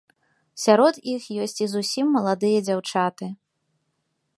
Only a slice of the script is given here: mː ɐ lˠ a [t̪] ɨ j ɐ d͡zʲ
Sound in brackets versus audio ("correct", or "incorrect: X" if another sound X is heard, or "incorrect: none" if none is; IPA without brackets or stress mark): incorrect: d̪